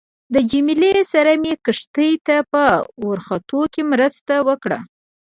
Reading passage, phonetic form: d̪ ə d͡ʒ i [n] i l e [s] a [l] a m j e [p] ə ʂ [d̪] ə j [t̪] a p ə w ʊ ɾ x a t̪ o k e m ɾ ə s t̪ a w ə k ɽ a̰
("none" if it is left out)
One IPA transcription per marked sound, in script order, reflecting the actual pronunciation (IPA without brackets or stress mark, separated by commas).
m, s, ɾ, k, t̪, t̪